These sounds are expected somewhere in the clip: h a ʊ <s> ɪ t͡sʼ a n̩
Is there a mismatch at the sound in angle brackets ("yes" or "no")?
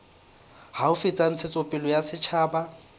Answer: yes